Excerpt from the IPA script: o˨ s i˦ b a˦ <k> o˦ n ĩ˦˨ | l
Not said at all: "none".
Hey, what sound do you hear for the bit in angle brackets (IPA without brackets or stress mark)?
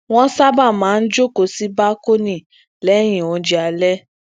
k